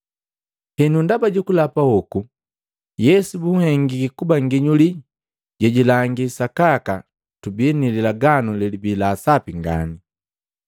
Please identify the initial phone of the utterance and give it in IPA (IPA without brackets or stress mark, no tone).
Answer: h